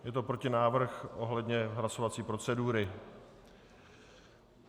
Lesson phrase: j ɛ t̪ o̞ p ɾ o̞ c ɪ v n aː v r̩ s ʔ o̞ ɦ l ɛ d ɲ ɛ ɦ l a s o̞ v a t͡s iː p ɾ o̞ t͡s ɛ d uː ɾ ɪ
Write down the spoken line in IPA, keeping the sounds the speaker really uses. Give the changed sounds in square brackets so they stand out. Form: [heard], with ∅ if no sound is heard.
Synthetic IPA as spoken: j ɛ t̪ o̞ p ɾ o̞ c ɪ [∅] n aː v r̩ [x] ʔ o̞ ɦ l ɛ d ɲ ɛ ɦ l a s o̞ v a t͡s iː p ɾ o̞ t͡s ɛ d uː ɾ ɪ

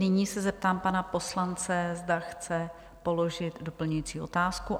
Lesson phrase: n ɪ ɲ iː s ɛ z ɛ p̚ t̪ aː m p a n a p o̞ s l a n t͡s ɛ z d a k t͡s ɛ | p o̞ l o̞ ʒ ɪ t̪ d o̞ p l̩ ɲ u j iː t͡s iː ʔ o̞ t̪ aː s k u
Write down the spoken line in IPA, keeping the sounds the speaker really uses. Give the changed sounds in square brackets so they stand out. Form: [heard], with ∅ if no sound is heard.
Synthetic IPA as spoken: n ɪ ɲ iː s ɛ z ɛ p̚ t̪ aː m p a n a p o̞ s l a n t͡s ɛ z d a [x] t͡s ɛ | p o̞ l o̞ ʒ ɪ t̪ d o̞ p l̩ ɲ u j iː t͡s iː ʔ o̞ t̪ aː s k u

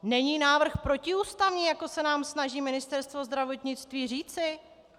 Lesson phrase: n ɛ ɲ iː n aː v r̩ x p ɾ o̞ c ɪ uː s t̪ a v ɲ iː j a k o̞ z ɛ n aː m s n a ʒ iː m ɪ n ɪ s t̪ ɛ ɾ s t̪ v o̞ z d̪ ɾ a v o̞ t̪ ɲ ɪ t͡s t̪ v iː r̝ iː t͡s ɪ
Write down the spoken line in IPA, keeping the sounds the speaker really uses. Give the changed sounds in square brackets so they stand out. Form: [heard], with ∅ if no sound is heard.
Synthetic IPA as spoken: n ɛ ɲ iː n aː v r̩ x p ɾ o̞ c ɪ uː s t̪ a v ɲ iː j a k o̞ [s] ɛ n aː m s n a ʒ iː m ɪ n ɪ s t̪ ɛ ɾ s t̪ v o̞ z d̪ ɾ a v o̞ t̪ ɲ ɪ t͡s t̪ v iː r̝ iː t͡s ɪ

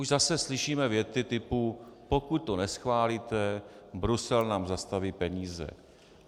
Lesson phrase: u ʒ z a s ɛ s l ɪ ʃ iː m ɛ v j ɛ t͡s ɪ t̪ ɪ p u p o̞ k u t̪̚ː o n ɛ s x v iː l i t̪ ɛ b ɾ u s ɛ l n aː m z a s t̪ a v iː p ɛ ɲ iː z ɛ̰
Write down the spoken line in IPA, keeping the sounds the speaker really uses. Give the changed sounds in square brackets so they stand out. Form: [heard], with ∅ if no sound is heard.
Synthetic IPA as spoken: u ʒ z a s ɛ s l ɪ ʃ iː m ɛ v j ɛ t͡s ɪ t̪ ɪ p u p o̞ k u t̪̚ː o n ɛ s x v [aː] l i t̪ ɛ b ɾ u s ɛ l n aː m z a s t̪ a v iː p ɛ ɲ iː z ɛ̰

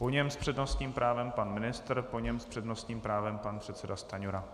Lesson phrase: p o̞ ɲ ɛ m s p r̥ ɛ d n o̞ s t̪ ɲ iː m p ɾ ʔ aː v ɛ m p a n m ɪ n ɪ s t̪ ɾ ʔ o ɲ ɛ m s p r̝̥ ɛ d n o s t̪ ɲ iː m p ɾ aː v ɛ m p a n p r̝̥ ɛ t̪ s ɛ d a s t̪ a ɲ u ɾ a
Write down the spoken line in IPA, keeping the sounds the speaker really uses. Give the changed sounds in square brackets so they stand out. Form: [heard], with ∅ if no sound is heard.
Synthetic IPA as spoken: p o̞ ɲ ɛ m s p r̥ ɛ d n o̞ s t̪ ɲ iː m p ɾ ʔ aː v ɛ m p a n m ɪ n ɪ s t̪ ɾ [p] o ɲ ɛ m s p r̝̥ ɛ d n o s t̪ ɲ iː m p ɾ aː v ɛ m p a n p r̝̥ ɛ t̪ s ɛ d a s t̪ a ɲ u ɾ a

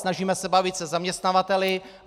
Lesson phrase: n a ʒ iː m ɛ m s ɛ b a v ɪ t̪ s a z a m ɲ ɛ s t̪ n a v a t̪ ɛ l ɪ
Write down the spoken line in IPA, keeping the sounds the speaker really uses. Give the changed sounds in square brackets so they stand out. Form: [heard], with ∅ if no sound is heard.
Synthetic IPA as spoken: n a ʒ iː m ɛ [∅] s ɛ b a v ɪ t̪ s [ɛ] z a m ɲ ɛ s t̪ n a v a t̪ ɛ l ɪ

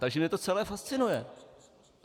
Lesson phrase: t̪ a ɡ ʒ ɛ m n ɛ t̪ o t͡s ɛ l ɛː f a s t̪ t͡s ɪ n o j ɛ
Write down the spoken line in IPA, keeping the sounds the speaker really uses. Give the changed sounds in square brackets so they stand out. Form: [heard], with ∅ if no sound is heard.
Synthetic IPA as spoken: t̪ a ɡ ʒ ɛ m [ɲ] ɛ t̪ o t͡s ɛ l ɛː f a s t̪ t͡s ɪ n [u] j ɛ

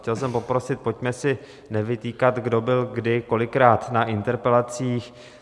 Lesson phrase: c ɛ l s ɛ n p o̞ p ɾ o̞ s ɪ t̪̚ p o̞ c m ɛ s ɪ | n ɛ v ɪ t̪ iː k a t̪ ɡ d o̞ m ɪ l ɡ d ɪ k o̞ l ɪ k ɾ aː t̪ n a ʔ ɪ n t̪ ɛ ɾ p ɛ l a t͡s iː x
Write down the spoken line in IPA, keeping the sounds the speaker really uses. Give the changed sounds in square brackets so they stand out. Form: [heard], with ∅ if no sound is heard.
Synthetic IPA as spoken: c ɛ l s ɛ [m] p o̞ p ɾ o̞ s ɪ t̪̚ p o̞ c m ɛ s ɪ | n ɛ v ɪ t̪ iː k a t̪ ɡ d o̞ [b] ɪ l ɡ d ɪ k o̞ l ɪ k ɾ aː t̪ n a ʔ ɪ n t̪ ɛ ɾ p ɛ l a t͡s iː x

